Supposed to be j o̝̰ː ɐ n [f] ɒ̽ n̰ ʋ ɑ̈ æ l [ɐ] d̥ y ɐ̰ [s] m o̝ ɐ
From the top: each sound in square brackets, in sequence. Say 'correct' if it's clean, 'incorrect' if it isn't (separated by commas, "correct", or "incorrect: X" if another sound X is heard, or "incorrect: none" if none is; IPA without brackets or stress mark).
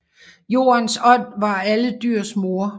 incorrect: s, incorrect: ə, correct